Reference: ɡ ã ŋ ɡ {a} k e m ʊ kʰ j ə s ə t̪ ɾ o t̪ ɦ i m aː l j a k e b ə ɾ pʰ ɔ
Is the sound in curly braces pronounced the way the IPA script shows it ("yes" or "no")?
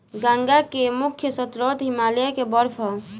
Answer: yes